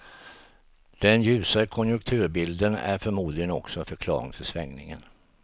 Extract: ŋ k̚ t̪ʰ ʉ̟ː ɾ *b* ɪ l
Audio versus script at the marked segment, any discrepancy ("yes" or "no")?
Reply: no